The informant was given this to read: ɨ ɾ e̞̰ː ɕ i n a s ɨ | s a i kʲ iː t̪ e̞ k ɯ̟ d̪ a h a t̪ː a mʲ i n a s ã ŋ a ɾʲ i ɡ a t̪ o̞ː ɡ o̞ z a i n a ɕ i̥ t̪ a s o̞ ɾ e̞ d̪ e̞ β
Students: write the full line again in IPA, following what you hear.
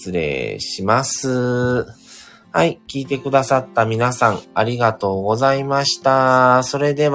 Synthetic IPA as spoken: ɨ ɾ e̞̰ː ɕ i m a s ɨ | h a i kʲ iː t̪ e̞ k ɯ̟ d̪ a s a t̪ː a mʲ i n a s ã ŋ a ɾʲ i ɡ a t̪ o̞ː ɡ o̞ z a i m a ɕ i̥ t̪ a s o̞ ɾ e̞ d̪ e̞ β